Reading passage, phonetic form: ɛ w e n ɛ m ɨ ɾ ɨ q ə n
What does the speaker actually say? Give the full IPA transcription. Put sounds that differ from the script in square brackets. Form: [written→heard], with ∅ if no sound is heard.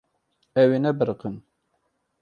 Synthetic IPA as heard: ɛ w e n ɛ [m→b] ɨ ɾ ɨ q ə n